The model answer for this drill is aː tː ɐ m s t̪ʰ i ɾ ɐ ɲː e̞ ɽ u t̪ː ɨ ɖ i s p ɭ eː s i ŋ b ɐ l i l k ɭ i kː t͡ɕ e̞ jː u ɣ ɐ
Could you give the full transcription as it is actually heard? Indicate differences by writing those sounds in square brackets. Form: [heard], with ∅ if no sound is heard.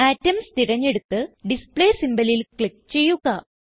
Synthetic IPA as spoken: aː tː ɐ m s [t̪] i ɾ ɐ ɲː e̞ ɽ u t̪ː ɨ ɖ i s p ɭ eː s i [m] b ɐ l i l k ɭ i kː t͡ɕ e̞ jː u ɣ ɐ